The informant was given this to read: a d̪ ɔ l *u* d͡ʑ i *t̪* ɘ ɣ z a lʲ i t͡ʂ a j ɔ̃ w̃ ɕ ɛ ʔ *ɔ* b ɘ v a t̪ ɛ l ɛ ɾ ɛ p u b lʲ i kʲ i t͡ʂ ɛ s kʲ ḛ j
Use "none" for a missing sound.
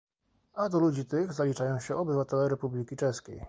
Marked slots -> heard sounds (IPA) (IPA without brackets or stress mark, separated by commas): u, t̪, ɔ